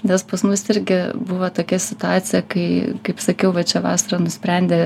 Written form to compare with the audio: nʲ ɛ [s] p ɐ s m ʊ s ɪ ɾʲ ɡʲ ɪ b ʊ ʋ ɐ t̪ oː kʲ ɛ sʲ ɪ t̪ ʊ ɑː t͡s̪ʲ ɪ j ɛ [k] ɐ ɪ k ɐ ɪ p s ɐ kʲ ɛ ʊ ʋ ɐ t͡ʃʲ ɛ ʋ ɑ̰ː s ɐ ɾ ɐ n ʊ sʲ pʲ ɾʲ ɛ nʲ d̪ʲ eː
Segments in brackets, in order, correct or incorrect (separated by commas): correct, correct